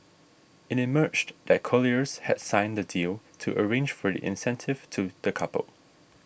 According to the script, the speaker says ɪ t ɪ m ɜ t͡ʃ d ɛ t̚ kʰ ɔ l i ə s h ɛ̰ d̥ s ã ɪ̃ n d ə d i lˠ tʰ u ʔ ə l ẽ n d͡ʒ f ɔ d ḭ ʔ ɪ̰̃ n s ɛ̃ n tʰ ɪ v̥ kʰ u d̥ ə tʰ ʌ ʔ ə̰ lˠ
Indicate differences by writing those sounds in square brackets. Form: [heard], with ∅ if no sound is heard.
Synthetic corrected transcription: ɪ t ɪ m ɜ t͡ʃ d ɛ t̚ kʰ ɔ l i ə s h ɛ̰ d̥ s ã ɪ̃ n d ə d i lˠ tʰ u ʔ ə [ɹ] ẽ n d͡ʒ f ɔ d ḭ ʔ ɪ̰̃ n s ɛ̃ n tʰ ɪ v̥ [tʰ] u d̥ ə [kʰ] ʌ [p] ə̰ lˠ